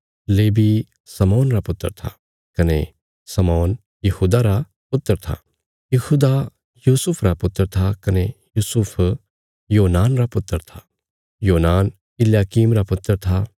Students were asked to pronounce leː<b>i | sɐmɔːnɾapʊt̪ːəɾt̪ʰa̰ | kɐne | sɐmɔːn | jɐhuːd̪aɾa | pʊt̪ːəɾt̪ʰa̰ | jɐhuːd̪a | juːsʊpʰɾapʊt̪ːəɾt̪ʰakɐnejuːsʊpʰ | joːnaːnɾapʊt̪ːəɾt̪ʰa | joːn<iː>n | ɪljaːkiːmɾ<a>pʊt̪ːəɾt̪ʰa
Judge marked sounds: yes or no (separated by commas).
yes, no, yes